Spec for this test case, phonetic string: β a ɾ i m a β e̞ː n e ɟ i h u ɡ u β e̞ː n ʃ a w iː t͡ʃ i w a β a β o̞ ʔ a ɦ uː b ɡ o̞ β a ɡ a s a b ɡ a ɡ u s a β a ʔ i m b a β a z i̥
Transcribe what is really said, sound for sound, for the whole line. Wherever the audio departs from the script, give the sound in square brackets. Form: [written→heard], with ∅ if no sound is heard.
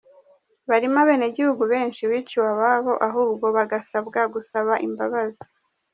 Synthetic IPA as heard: β a ɾ i m a β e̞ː n e ɟ i h u ɡ u β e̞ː n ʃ [a→i] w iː t͡ʃ i w a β a β o̞ ʔ a ɦ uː b ɡ o̞ β a ɡ a s a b ɡ a ɡ u s a β a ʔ i m b a β a z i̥

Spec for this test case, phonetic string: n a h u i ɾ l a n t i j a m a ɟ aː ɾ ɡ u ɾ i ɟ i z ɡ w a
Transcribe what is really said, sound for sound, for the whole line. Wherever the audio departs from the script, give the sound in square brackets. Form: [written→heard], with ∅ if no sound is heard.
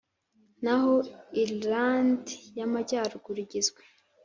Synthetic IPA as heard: n a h [u→o] i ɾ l a n [t→d] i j a m a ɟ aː ɾ ɡ u ɾ i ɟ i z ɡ w [a→e]

